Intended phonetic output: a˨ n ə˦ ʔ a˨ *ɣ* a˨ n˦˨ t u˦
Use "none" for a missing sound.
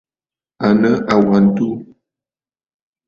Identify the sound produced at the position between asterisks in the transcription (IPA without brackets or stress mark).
w